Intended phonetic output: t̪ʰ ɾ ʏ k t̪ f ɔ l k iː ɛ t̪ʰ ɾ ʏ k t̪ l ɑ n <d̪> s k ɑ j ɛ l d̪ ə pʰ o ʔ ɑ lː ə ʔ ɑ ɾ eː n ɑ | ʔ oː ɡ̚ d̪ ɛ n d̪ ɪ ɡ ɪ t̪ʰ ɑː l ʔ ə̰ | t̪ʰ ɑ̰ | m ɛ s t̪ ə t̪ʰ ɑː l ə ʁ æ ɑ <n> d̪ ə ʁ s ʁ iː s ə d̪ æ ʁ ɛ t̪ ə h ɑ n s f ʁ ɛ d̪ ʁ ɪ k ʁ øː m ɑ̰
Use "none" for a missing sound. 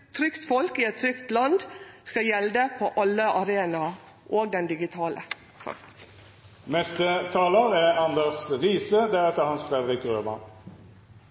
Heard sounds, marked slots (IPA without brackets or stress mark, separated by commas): d̪, n